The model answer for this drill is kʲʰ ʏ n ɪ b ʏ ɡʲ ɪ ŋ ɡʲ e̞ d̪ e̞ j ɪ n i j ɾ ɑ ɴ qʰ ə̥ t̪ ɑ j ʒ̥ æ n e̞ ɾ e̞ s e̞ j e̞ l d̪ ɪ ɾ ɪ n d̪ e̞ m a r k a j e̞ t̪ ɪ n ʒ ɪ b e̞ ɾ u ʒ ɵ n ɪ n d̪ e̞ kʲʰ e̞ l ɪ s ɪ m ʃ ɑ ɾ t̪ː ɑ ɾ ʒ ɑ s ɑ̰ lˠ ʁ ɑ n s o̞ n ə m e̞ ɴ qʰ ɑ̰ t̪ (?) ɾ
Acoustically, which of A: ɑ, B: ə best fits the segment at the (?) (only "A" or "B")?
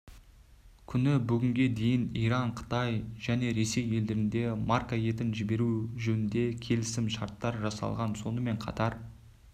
A